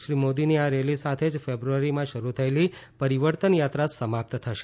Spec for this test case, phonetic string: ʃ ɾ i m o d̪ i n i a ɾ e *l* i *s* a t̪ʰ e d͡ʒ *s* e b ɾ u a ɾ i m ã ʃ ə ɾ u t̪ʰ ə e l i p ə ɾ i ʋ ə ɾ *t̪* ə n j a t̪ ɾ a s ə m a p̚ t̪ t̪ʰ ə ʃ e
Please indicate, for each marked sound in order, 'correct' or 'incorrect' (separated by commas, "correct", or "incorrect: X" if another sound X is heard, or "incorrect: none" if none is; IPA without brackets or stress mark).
correct, correct, incorrect: f, correct